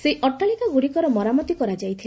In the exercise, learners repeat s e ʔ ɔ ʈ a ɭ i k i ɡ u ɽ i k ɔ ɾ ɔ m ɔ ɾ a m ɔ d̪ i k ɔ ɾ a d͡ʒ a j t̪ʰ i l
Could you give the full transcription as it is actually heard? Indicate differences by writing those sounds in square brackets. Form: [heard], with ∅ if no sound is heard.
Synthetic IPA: s e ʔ ɔ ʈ a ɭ i k [a] ɡ u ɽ i k ɔ ɾ ɔ m ɔ ɾ a m ɔ [t̪] i k ɔ ɾ a d͡ʒ a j t̪ʰ i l